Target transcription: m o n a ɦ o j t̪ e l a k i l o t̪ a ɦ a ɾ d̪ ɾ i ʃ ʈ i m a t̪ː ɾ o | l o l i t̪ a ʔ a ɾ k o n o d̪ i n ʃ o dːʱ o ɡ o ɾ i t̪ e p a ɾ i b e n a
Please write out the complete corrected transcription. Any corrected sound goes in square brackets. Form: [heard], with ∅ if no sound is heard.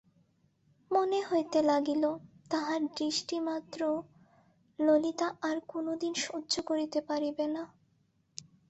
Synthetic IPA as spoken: m o n [e] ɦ o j t̪ e l a [ɡ] i l o t̪ a ɦ a ɾ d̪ ɾ i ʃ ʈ i m a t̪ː ɾ o | l o l i t̪ a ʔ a ɾ k o n o d̪ i n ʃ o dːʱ o [k] o ɾ i t̪ e p a ɾ i b e n a